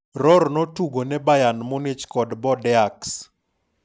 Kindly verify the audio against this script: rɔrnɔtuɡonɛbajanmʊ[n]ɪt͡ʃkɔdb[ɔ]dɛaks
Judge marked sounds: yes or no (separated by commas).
yes, yes